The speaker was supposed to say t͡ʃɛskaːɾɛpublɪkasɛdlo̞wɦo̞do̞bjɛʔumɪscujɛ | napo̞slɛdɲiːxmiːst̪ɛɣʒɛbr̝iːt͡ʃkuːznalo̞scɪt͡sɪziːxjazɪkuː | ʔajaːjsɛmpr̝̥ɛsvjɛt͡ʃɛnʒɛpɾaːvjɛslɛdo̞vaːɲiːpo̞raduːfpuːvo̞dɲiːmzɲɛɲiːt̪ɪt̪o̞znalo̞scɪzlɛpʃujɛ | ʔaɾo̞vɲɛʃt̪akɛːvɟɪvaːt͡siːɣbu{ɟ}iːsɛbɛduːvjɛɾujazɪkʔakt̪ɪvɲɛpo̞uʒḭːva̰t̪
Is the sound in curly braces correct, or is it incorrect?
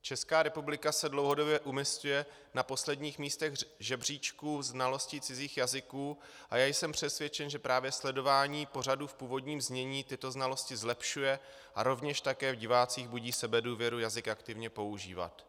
correct